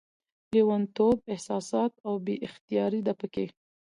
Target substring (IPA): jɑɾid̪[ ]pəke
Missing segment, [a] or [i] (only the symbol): a